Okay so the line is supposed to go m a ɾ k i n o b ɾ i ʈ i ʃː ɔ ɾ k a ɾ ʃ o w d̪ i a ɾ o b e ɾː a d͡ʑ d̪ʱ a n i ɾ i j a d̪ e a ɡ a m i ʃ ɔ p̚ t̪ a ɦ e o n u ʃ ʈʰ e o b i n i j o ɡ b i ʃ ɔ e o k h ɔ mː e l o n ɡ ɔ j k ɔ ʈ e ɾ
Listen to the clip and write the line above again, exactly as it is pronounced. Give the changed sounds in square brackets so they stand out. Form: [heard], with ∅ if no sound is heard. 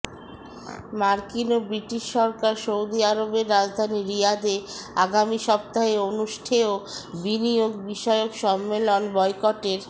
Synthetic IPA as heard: m a ɾ k i n o b ɾ i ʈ i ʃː ɔ ɾ k a ɾ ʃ o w d̪ i a ɾ o b e ɾː a d͡ʑ d̪ʱ a n i ɾ i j a d̪ e a ɡ a m i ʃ ɔ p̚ t̪ a ɦ e o n u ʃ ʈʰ e o b i n i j o ɡ b i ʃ ɔ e o k [ʃ] ɔ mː e l o n [b] ɔ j k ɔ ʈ e ɾ

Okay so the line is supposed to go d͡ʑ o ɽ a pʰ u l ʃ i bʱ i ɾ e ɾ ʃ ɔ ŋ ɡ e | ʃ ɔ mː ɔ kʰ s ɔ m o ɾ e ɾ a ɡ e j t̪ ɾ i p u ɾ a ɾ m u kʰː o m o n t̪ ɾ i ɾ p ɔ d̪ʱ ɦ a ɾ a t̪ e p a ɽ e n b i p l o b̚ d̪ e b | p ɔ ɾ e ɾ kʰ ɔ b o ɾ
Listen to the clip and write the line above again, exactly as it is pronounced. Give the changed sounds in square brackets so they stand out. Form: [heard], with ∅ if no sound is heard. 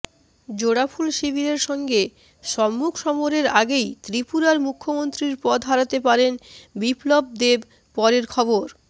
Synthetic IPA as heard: d͡ʑ o ɽ a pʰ u l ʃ i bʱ i ɾ e ɾ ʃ ɔ ŋ ɡ e | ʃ ɔ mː [u] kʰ [ʃ] ɔ m o ɾ e ɾ a ɡ e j t̪ ɾ i p u ɾ a ɾ m u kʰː o m o n t̪ ɾ i ɾ p ɔ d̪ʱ ɦ a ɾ a t̪ e p a [ɾ] e n b i p l o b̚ d̪ e b | p ɔ ɾ e ɾ kʰ ɔ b o ɾ

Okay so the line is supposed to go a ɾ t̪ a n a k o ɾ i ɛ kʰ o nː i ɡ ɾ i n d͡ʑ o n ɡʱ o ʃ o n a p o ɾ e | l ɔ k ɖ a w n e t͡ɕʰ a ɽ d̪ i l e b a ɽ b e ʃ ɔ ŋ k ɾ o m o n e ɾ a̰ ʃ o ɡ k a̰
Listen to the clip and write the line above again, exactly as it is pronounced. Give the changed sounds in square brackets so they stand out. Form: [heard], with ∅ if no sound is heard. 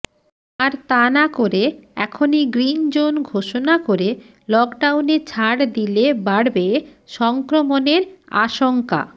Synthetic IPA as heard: a ɾ t̪ a n a k o ɾ [e] ɛ kʰ o [n] i ɡ ɾ i n d͡ʑ o n ɡʱ o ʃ o n a [k] o ɾ e | l ɔ k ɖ a w n e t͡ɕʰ a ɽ d̪ i l e b a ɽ b e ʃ ɔ ŋ k ɾ o m o n e ɾ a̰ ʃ o [ŋ] k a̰

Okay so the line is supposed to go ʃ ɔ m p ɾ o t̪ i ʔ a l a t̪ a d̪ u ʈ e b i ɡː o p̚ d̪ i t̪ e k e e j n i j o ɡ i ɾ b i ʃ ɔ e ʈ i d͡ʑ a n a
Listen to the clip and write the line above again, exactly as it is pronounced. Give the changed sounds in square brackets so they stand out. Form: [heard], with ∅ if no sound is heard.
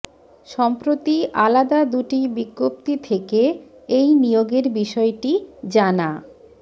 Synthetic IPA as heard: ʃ ɔ m p ɾ o t̪ i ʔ a l a [d̪] a d̪ u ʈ [i] b i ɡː o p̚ [t̪] i [t̪ʰ] e k e e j n i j o ɡ [e] ɾ b i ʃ ɔ e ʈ i d͡ʑ a n a

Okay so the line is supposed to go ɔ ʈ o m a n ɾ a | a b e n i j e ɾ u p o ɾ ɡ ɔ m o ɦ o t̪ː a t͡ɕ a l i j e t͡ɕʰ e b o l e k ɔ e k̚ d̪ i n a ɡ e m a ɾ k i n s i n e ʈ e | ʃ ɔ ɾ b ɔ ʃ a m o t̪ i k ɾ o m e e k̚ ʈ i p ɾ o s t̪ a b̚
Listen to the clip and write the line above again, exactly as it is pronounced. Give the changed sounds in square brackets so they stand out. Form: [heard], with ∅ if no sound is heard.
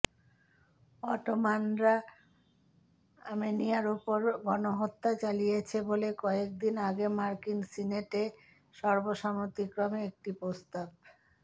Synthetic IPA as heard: ɔ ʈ o m a n ɾ a | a [m] e n i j [a] ɾ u p o ɾ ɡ ɔ [n] o ɦ o t̪ː a t͡ɕ a l i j e t͡ɕʰ e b o l e k ɔ e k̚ d̪ i n a ɡ e m a ɾ k i n s i n e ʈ e | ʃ ɔ ɾ b [o] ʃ a m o t̪ i k ɾ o m e e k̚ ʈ i p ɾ o s t̪ a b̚

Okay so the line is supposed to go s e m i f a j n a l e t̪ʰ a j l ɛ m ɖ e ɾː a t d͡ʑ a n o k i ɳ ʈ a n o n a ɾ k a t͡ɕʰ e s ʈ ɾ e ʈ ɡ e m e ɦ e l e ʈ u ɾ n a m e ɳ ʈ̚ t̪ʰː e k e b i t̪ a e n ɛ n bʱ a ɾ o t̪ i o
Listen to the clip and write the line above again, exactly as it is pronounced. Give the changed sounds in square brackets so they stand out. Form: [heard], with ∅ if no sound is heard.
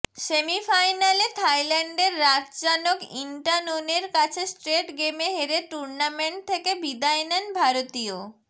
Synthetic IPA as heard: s e m i f a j n a l e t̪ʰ a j l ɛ [ɳ] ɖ e ɾː a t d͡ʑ a n o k i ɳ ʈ a n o n [e] ɾ k a t͡ɕʰ e s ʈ ɾ e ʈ ɡ e m e ɦ e [ɾ] e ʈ u ɾ n a m e ɳ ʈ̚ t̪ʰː e k e b i [d̪] a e n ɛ n bʱ a ɾ o t̪ i o

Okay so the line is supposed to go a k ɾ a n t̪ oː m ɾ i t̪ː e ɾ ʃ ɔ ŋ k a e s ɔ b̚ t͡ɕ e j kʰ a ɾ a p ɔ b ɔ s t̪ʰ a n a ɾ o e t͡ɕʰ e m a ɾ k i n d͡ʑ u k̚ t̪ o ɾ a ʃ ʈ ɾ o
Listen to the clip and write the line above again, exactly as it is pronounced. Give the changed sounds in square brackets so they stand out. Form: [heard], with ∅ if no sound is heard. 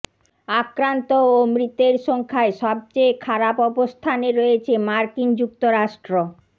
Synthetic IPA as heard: a k ɾ a n t̪ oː m ɾ i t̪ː e ɾ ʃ ɔ ŋ [kʰ] a e [ʃ] ɔ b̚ t͡ɕ e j kʰ a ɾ a p ɔ b [o] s t̪ʰ a n [e] ɾ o e t͡ɕʰ e m a ɾ k i n d͡ʑ u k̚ t̪ o ɾ a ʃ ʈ ɾ o

